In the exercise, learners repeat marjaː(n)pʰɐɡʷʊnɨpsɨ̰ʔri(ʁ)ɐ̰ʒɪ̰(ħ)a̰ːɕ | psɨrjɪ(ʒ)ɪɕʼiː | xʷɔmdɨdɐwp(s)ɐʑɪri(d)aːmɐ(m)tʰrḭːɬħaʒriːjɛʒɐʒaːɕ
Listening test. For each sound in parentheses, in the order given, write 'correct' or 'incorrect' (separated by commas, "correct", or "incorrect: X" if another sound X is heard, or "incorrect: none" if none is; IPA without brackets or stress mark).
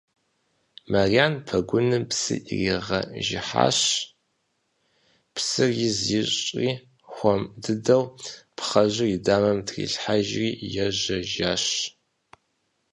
correct, correct, correct, incorrect: z, incorrect: χ, correct, correct